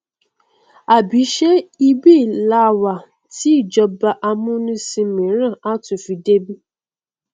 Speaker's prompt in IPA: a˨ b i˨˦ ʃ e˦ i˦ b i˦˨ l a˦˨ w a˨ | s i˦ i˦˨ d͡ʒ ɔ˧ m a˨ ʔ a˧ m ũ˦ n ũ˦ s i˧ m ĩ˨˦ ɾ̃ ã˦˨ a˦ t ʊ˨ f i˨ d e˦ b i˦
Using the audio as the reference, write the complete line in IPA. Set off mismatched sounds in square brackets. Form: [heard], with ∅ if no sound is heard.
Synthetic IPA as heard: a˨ b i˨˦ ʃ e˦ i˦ b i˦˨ l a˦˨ w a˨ | [t] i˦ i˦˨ d͡ʒ ɔ˧ [b] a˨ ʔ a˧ m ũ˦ n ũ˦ s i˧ m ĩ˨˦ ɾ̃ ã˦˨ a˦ t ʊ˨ f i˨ d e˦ b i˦